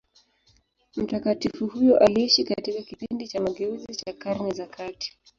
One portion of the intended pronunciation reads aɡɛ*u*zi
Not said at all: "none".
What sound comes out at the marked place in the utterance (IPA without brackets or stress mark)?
u